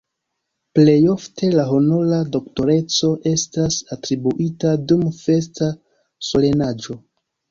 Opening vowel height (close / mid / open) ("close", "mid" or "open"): mid